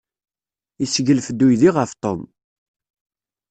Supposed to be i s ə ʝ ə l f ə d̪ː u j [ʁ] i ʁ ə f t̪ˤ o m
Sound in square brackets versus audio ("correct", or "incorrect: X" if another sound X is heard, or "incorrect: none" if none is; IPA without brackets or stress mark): incorrect: ð